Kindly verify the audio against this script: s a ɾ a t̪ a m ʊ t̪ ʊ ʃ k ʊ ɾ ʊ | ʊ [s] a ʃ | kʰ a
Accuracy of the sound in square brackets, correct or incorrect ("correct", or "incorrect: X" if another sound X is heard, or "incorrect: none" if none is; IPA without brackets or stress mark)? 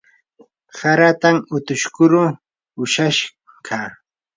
incorrect: ʃ